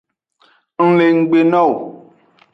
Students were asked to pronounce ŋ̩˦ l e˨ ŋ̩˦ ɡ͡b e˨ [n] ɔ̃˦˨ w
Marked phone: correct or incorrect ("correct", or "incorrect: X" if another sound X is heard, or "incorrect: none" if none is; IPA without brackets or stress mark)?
correct